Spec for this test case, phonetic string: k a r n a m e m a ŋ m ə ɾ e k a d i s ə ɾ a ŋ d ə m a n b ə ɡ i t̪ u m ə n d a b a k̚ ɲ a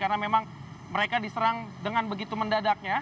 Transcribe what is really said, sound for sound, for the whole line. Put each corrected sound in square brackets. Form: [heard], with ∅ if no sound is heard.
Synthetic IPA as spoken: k a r n a m e m a ŋ m ə ɾ e k a d i s ə ɾ a ŋ d ə [ŋ] a n b ə ɡ i t̪ u m ə n d a [d] a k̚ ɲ a